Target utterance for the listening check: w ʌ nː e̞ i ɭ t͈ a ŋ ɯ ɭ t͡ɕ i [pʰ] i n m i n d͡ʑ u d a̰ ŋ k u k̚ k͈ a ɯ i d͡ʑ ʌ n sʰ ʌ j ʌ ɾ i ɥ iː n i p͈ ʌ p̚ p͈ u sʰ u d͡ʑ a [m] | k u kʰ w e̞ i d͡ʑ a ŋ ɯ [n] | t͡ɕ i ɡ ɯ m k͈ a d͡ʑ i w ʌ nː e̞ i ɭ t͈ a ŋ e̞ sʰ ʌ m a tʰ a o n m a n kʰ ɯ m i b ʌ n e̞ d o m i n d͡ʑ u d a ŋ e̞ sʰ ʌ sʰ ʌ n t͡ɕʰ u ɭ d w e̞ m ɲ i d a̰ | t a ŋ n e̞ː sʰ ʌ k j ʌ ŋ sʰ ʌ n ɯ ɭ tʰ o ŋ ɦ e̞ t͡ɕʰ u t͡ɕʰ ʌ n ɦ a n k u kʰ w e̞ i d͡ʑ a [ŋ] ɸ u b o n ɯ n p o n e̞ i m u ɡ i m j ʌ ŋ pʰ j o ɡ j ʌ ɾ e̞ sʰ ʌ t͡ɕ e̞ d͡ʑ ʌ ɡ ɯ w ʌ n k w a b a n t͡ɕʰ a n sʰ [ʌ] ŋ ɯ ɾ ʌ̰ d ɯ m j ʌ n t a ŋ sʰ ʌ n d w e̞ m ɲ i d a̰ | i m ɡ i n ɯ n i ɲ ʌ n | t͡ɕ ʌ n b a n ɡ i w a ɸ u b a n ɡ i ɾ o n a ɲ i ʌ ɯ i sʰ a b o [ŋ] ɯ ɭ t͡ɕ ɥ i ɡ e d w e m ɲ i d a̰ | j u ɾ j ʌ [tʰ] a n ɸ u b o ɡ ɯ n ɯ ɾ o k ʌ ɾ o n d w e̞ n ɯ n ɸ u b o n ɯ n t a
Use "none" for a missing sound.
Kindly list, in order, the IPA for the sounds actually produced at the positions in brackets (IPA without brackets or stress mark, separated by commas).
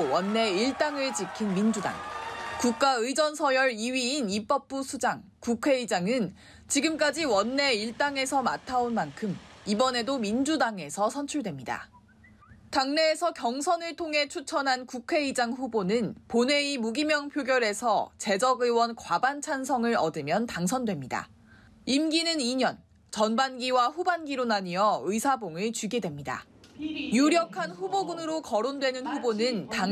kʰ, ŋ, n, ŋ, ʌ, ŋ, kʰ